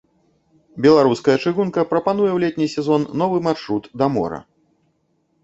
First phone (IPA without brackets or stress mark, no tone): bʲ